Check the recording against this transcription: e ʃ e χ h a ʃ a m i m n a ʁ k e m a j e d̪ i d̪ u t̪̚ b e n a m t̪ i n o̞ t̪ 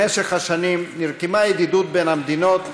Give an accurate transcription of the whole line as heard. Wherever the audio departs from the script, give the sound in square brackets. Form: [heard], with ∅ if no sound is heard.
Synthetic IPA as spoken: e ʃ e χ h a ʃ a [n] i m n [i] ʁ k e m a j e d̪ i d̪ u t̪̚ b e n a m [d̪] i n o̞ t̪